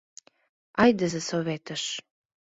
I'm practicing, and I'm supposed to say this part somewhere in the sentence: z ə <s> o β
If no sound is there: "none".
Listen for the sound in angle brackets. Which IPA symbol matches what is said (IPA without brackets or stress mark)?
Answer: s